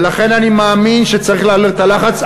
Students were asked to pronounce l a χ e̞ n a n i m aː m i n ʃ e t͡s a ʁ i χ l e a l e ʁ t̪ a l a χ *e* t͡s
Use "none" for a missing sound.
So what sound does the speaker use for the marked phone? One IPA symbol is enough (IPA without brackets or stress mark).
a